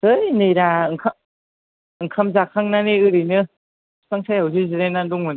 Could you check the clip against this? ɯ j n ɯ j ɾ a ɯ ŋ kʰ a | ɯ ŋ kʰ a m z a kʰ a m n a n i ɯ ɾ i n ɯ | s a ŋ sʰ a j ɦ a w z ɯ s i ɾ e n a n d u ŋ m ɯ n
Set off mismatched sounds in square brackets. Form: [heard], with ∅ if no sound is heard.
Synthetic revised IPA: ɯ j n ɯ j ɾ a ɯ ŋ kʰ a | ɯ ŋ kʰ a m z a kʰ a [ŋ] n a n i ɯ ɾ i n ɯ | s a ŋ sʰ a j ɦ a w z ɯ [z] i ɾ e n a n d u ŋ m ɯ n

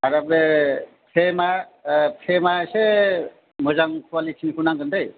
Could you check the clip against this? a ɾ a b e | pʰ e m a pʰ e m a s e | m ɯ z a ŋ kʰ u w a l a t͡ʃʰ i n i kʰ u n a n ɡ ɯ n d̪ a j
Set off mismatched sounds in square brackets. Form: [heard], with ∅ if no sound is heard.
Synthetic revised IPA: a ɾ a b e | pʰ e m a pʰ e m a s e | m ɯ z a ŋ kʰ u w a l [i] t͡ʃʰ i n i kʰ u n a [ŋ] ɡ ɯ n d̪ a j

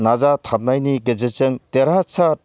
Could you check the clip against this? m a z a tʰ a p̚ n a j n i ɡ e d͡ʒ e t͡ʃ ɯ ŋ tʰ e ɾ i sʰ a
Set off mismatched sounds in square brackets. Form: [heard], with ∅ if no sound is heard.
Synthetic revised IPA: [n] a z a tʰ a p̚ n a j n i ɡ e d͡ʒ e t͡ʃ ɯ ŋ [t] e ɾ [a] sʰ a

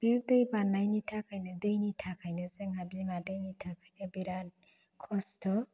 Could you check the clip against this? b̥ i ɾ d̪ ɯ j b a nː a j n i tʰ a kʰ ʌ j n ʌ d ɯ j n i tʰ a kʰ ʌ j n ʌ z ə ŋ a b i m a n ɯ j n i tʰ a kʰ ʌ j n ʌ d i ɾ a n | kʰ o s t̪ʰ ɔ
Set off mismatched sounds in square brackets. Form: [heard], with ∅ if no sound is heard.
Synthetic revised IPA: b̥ i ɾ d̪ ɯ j b a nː a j n i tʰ a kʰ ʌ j n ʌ d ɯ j n i tʰ a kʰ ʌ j n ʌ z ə ŋ a b i m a [d] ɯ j n i tʰ a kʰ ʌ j n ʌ [b] i ɾ a n | kʰ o s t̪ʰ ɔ

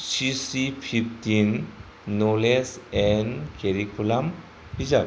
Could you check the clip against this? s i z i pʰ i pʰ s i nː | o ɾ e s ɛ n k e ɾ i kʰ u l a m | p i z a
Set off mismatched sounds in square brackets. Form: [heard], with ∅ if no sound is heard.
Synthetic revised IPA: s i [s] i pʰ i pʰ [t] i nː | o [l] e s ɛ n k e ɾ i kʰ u l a m | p i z a

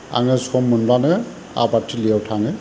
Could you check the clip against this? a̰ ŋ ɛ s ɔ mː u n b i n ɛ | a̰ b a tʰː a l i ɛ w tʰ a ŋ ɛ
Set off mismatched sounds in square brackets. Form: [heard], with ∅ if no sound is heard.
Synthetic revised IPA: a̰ ŋ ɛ s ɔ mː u n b [a] n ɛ | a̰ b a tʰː [i] l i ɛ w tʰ a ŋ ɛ

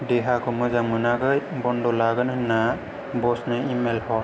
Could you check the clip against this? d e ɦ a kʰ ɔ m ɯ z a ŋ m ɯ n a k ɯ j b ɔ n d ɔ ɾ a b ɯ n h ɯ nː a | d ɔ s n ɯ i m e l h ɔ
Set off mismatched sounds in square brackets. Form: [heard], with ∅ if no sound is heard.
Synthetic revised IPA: d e ɦ a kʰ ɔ m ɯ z a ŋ m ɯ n a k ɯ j b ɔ n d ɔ [l] a [ɡ] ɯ n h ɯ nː a | [b] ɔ s n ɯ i m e l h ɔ

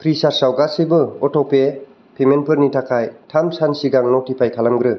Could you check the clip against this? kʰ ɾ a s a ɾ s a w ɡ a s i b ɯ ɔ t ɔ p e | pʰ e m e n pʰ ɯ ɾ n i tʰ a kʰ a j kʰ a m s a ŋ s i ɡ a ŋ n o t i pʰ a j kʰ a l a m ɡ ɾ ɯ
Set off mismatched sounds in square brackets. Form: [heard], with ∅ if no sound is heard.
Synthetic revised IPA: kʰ ɾ [i] s a ɾ s a w ɡ a s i b ɯ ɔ t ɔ p e | pʰ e m e n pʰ ɯ ɾ n i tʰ a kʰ a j [tʰ] a m s a [n] s i ɡ a ŋ n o t i pʰ a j kʰ a l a m ɡ ɾ ɯ

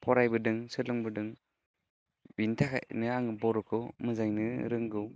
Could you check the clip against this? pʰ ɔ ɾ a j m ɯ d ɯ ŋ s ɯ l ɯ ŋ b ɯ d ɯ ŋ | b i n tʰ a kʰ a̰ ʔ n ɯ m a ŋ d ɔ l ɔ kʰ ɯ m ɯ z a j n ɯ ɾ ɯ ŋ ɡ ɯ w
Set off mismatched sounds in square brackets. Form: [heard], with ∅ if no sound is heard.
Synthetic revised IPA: pʰ ɔ ɾ a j [b] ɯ d ɯ ŋ s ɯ l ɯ ŋ b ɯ d ɯ ŋ | b i n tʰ a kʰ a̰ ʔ n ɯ [∅] a ŋ [b] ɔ [ɾ] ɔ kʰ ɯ m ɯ z a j n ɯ ɾ ɯ ŋ ɡ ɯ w

